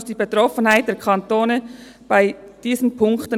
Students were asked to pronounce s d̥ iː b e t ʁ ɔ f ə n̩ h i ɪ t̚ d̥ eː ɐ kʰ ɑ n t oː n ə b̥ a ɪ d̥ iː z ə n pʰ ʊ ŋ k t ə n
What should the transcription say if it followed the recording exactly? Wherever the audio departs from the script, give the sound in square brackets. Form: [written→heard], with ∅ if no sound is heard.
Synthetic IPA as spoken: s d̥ iː b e t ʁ ɔ f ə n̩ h [i→a] ɪ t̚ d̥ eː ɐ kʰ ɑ n t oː n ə b̥ a ɪ d̥ iː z ə n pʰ ʊ ŋ k t ə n